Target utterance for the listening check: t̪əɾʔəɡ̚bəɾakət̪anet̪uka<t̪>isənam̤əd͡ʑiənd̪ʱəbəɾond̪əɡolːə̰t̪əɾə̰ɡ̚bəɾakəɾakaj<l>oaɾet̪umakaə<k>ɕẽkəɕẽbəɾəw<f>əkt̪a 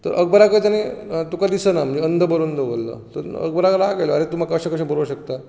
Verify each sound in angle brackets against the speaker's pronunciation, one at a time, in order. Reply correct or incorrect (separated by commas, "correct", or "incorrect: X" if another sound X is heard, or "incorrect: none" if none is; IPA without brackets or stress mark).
incorrect: d̪, correct, incorrect: none, incorrect: ɕ